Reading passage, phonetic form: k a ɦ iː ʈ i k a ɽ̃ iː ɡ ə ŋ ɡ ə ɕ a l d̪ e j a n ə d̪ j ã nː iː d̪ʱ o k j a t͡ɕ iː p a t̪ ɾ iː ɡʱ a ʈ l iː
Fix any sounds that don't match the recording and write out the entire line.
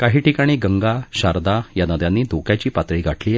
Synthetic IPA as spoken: k a ɦ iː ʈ i k a ɽ̃ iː ɡ ə ŋ ɡ a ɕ a ɾ d̪ a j a n ə d̪ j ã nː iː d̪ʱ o k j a t͡ɕ iː p a t̪ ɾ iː ɡʱ a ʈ l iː

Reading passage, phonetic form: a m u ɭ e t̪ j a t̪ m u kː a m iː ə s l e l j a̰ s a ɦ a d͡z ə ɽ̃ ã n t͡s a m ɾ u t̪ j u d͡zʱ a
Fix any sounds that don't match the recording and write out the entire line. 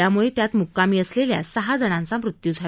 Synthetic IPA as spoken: a m u ɭ e t̪ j a t̪ m u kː a m iː ə s l e l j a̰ s ə ɦ a d͡z ə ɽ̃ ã n t͡s a m ɾ u t̪ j u d͡zʱ a

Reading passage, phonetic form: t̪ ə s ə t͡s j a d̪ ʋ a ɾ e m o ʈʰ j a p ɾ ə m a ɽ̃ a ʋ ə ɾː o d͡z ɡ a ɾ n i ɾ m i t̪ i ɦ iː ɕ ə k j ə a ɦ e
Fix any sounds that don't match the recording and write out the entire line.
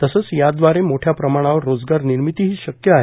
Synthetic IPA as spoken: t̪ ə s ə t͡s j a d̪ ʋ a ɾ e m o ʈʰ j a p ɾ ə m a ɽ̃ a ʋ ə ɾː o d͡z ɡ a ɾ n i ɾ m i t̪ i ɦ iː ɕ ə k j ə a ɦ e

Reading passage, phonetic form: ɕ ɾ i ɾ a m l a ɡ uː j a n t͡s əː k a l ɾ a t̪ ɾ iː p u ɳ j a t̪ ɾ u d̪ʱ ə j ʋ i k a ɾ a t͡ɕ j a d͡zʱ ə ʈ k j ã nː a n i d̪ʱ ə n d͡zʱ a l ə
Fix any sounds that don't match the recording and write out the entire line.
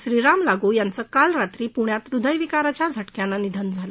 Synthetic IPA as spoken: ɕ ɾ i ɾ a m l a ɡ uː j a n t͡s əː k a l ɾ a t̪ ɾ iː p u ɳ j a t̪ ɾ u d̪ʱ ə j ʋ i k a ɾ a t͡ɕ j a d͡zʱ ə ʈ k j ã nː a n i d̪ʱ ə n d͡zʱ a l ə

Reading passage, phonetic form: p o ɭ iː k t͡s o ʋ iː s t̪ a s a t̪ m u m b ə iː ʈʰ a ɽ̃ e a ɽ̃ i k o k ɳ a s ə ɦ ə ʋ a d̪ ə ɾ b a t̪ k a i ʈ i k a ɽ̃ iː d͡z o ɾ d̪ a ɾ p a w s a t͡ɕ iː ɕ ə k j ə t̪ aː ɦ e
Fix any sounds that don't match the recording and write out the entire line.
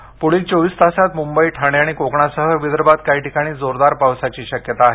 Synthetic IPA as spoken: p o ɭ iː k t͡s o ʋ iː s t̪ a s a t̪ m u m b ə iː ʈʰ a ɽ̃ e a ɽ̃ i k o k ɳ a s ə ɦ ə ʋ i d̪ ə ɾ b a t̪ k a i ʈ i k a ɽ̃ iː d͡z o ɾ d̪ a ɾ p a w s a t͡ɕ iː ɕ ə k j ə t̪ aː ɦ e

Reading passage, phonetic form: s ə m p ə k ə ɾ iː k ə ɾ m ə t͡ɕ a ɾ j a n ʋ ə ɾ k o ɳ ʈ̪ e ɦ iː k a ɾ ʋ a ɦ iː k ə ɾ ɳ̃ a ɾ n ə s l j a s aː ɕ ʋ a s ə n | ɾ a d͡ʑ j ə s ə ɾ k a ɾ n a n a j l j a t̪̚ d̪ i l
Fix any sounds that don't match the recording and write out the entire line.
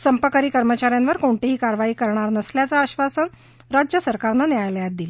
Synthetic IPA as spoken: s ə m p ə k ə ɾ iː k ə ɾ m ə t͡ɕ a ɾ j a n ʋ ə ɾ k o ɳ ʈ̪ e ɦ iː k a ɾ ʋ a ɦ iː k ə ɾ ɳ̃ a ɾ n ə s l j a t͡s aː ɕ ʋ a s ə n | ɾ a d͡ʑ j ə s ə ɾ k a ɾ n a n a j l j a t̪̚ d̪ i l

